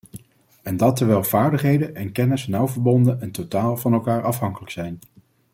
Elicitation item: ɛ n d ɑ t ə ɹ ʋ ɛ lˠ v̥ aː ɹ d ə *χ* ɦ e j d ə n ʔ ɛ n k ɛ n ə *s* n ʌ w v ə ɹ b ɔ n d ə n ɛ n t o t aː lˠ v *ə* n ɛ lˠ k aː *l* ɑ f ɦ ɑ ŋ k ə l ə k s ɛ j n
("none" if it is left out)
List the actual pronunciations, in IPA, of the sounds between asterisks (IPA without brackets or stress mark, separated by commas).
χ, s, ɑ, ɹ